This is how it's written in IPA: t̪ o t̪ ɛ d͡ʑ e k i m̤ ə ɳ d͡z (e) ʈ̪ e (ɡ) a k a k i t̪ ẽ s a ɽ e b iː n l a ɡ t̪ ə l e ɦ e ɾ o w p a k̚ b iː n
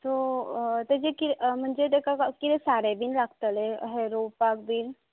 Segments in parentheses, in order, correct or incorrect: correct, incorrect: k

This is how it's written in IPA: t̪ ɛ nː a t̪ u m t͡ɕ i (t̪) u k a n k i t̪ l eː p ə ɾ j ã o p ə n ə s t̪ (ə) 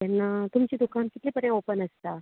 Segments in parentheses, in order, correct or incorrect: incorrect: d̪, incorrect: a

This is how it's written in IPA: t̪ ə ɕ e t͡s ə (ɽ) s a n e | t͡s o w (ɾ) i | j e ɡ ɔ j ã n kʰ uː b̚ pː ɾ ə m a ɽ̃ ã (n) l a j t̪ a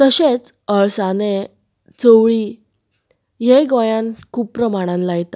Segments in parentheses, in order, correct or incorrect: incorrect: ɭ, incorrect: ɭ, correct

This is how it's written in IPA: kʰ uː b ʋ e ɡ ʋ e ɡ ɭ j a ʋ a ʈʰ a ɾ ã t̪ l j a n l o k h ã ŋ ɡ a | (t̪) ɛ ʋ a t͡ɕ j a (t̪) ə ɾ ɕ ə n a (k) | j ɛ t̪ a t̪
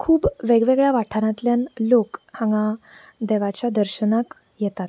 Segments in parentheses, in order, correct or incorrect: incorrect: d̪, incorrect: d̪, correct

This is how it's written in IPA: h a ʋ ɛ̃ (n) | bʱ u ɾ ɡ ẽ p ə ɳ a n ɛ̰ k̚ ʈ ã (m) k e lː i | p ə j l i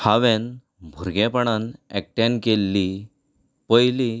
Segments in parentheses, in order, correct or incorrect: correct, incorrect: n

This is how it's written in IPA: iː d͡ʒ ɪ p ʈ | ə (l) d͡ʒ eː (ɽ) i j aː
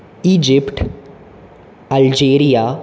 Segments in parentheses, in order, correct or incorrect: correct, incorrect: ɾ

